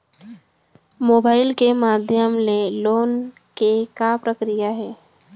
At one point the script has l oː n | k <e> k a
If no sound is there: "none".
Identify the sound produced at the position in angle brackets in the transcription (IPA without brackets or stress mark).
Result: e